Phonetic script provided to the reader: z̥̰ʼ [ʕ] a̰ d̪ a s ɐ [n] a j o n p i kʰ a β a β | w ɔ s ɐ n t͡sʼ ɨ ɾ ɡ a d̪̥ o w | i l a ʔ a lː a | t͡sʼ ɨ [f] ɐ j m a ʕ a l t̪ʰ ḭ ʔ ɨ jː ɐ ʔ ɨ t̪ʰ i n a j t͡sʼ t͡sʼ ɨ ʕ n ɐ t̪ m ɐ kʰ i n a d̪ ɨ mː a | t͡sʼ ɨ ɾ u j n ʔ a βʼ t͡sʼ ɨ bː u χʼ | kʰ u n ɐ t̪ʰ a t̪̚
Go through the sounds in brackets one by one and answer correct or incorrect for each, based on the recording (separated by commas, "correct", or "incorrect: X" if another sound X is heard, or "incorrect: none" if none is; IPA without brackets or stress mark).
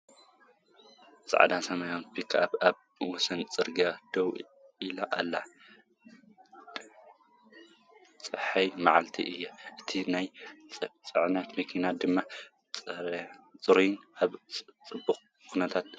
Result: correct, incorrect: m, incorrect: ħ